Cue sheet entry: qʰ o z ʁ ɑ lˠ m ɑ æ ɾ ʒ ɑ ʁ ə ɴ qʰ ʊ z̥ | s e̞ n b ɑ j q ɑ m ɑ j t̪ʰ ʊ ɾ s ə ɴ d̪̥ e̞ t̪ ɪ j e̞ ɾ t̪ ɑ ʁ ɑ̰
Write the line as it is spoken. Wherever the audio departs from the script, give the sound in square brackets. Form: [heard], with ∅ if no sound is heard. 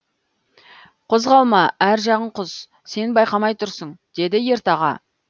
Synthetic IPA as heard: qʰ o z ʁ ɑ lˠ m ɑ æ ɾ ʒ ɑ ʁ ə ɴ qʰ ʊ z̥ | s e̞ n b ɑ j q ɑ m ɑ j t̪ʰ ʊ ɾ s ə ɴ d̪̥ e̞ [d̪] ɪ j e̞ ɾ t̪ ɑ ʁ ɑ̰